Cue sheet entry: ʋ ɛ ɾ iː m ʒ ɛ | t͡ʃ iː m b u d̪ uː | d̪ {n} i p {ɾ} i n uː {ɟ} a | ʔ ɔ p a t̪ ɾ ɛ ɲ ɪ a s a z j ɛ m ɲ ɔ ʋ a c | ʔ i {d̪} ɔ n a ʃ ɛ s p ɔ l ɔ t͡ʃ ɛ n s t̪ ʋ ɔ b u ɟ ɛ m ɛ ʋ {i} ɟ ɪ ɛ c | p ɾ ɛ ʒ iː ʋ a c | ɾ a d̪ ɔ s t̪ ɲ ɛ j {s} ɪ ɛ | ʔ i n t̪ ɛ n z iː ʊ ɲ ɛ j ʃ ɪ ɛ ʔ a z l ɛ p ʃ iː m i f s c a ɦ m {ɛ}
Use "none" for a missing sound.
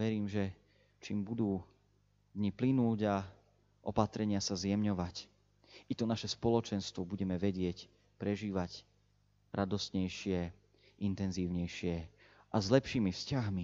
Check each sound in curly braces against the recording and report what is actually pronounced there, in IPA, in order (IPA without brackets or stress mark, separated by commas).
ɲ, l, ɟ, t̪, ɛ, ʃ, i